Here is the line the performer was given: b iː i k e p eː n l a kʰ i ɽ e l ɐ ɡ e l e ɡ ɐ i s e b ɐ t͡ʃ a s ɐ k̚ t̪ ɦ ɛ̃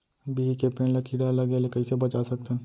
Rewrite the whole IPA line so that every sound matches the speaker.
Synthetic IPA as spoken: b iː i k e p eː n l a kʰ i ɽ a l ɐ ɡ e l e k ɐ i s e b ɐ t͡ʃ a s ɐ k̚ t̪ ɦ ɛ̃